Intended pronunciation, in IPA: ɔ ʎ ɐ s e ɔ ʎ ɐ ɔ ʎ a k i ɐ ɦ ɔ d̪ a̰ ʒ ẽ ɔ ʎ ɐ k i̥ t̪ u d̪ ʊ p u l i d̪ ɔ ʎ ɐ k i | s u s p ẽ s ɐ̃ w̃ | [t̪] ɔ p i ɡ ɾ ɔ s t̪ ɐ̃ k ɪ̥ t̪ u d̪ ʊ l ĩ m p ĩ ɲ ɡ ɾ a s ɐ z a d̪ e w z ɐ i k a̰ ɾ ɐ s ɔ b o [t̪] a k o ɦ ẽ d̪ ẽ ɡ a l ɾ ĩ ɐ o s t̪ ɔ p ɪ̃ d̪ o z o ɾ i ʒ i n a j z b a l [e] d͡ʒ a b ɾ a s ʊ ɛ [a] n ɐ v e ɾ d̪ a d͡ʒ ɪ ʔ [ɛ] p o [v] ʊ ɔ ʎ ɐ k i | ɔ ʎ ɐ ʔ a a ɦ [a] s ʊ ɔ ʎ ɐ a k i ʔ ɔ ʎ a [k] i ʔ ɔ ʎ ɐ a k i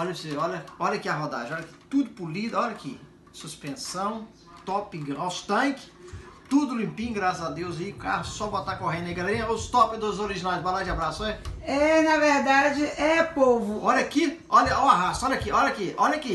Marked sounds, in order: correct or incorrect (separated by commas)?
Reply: correct, correct, incorrect, incorrect, correct, correct, correct, correct